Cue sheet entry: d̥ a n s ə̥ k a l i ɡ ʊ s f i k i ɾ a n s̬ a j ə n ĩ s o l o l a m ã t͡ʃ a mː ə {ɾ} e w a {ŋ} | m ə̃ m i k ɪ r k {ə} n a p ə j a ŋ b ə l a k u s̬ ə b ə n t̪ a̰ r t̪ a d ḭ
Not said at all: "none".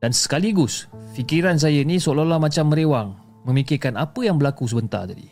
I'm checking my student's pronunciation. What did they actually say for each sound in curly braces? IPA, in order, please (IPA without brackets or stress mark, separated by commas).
ɾ, ŋ, a